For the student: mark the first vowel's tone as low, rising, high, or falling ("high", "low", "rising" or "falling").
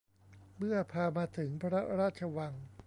falling